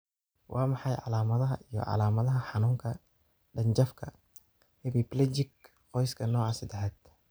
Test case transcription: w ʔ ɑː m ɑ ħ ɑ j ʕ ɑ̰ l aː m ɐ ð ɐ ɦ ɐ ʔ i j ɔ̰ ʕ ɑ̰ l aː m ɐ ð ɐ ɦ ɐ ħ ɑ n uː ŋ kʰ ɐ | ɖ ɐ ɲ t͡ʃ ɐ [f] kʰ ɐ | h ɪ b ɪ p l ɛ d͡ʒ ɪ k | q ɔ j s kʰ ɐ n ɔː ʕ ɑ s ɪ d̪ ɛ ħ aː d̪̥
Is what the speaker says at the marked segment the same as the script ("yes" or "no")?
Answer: yes